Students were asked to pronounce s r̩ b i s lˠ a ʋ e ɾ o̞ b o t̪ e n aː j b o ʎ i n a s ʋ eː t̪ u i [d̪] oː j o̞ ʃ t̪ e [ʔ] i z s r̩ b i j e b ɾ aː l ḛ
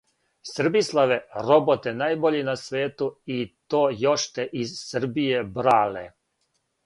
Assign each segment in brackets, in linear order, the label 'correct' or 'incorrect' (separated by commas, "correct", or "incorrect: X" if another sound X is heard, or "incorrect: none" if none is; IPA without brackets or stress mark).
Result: incorrect: t̪, correct